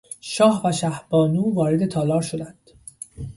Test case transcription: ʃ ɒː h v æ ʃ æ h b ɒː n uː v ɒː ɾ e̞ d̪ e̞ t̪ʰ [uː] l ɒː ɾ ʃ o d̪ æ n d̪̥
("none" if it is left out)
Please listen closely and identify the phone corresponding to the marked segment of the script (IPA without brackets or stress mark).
ɒː